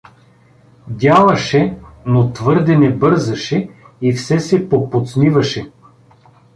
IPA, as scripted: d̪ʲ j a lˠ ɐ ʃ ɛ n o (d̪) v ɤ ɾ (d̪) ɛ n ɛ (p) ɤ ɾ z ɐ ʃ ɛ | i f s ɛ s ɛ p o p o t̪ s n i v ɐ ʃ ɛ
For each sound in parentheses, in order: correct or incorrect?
incorrect: t̪, correct, incorrect: b

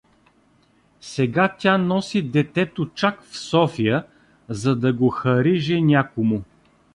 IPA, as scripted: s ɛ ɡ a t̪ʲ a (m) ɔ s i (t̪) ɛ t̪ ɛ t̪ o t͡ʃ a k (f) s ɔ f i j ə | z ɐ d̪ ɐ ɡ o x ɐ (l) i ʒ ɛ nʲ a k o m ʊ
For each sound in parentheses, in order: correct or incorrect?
incorrect: n, incorrect: d̪, correct, incorrect: ɾ

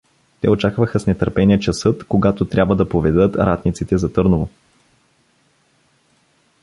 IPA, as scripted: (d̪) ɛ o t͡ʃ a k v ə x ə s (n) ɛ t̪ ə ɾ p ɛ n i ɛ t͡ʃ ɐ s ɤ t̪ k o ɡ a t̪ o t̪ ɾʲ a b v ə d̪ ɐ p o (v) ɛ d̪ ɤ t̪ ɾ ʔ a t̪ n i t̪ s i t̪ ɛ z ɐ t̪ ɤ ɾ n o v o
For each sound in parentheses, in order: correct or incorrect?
incorrect: t̪, correct, correct

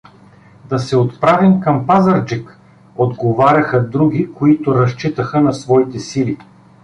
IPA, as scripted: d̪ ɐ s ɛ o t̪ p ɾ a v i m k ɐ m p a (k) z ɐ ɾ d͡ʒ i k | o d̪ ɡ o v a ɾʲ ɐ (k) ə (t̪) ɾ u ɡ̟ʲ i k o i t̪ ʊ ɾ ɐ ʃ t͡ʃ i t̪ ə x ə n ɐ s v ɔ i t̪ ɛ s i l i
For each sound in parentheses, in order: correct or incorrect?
incorrect: none, incorrect: x, incorrect: d̪

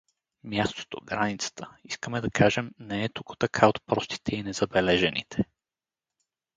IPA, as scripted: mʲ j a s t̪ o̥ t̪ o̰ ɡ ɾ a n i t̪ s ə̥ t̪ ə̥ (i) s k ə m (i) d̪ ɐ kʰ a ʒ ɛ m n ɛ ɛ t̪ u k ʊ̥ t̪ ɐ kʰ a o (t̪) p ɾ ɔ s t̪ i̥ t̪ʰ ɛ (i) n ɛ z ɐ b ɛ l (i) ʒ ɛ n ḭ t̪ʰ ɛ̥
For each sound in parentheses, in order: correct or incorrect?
correct, incorrect: ɛ, correct, correct, incorrect: ɛ

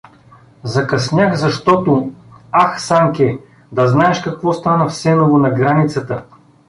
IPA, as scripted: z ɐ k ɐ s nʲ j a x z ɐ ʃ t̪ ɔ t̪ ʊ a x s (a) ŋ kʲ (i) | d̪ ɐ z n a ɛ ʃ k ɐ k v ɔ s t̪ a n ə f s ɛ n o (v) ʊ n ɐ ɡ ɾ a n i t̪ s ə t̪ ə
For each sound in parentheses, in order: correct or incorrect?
correct, incorrect: ɛ, correct

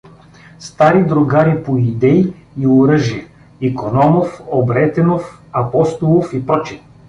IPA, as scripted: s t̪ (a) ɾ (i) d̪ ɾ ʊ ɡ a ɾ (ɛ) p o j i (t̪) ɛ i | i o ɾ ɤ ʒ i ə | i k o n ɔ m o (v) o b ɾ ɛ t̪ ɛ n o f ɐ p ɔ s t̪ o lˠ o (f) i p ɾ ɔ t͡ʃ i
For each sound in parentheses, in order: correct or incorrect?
correct, correct, incorrect: i, incorrect: d̪, incorrect: f, correct

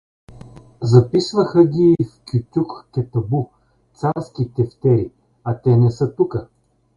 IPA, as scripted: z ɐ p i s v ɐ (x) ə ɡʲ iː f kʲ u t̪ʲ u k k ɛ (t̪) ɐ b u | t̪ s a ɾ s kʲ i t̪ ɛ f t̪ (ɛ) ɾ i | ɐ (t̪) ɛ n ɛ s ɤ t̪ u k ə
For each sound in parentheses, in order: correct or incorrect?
correct, correct, correct, correct

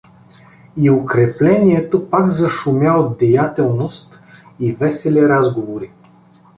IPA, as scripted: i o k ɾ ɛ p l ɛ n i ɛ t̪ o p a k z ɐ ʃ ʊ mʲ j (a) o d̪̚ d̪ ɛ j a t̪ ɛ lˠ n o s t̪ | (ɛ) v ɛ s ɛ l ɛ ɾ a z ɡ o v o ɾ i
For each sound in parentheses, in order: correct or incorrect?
correct, incorrect: i

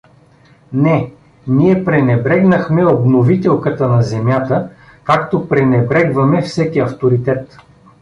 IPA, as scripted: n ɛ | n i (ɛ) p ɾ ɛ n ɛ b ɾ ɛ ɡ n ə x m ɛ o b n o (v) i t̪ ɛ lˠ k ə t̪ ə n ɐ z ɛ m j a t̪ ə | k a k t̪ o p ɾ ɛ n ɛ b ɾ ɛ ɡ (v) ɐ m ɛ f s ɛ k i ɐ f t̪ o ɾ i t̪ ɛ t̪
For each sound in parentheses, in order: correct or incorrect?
correct, correct, correct

